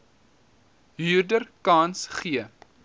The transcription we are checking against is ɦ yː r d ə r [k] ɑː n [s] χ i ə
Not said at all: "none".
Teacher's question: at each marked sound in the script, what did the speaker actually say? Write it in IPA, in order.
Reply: k, s

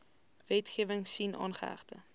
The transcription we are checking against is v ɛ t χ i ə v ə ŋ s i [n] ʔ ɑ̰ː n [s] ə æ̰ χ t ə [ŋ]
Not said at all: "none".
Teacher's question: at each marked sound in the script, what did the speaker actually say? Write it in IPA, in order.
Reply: n, χ, none

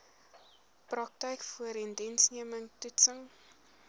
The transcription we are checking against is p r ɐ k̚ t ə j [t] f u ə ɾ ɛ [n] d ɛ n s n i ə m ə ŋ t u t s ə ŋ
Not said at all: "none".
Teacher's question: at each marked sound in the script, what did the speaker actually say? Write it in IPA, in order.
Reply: k, n

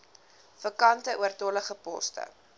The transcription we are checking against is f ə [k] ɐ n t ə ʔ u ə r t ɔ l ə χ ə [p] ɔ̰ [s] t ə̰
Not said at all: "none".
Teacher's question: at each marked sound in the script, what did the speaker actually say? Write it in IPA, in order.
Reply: k, p, s

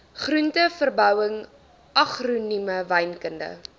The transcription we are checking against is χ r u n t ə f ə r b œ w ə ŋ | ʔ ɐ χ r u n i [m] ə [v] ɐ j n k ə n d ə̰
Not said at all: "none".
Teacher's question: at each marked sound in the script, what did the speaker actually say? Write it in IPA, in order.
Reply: m, v

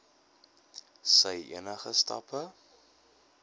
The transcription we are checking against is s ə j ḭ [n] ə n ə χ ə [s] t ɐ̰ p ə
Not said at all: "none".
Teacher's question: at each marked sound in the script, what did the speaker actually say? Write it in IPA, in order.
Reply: none, s

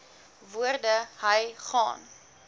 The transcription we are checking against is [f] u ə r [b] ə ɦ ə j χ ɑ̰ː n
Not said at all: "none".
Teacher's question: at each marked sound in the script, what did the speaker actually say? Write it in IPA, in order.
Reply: v, d

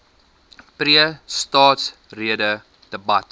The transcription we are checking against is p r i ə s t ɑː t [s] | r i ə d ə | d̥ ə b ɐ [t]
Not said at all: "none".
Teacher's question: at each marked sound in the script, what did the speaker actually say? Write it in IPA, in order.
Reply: s, t

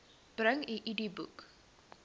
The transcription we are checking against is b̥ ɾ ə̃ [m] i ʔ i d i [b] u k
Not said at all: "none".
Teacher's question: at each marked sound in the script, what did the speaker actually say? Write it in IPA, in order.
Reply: ŋ, b

